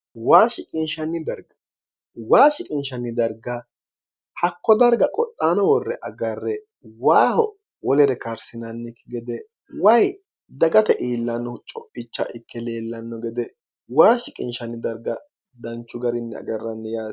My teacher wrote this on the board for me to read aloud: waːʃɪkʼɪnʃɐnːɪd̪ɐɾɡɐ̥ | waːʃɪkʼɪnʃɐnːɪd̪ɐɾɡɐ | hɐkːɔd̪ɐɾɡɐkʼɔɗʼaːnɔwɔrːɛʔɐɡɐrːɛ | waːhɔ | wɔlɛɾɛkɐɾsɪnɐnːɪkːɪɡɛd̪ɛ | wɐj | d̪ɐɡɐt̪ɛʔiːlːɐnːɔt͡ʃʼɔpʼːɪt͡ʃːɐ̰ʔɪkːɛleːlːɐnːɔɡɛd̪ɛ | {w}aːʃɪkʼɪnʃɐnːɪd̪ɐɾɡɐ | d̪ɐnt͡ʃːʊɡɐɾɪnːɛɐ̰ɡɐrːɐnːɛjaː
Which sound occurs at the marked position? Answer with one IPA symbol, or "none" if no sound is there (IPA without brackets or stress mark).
w